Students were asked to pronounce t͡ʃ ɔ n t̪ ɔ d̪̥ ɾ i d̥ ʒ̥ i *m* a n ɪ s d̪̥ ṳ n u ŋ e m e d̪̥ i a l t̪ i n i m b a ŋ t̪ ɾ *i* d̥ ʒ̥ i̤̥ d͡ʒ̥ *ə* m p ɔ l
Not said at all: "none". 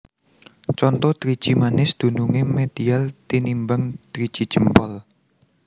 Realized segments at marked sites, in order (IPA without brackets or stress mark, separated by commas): m, i, ə